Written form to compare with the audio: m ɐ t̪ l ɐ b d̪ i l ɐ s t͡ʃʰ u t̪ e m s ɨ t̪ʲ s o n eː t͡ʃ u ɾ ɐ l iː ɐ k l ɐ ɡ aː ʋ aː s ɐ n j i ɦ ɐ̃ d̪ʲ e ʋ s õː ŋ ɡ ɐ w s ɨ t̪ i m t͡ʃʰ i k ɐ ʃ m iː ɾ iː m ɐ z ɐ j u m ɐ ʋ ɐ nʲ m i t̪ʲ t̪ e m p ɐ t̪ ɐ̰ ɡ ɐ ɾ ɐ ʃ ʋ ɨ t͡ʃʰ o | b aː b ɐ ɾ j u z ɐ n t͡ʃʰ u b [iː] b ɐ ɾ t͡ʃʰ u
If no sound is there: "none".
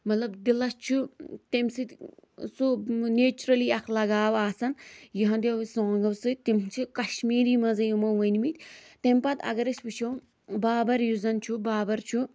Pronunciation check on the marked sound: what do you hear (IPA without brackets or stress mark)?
aː